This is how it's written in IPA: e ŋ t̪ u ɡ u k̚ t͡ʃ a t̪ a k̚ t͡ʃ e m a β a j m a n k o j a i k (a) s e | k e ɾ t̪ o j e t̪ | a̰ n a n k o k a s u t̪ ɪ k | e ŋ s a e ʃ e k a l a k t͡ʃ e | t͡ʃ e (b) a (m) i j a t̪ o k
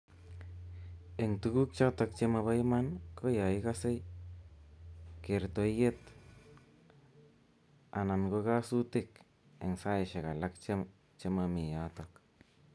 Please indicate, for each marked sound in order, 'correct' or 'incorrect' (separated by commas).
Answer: correct, incorrect, correct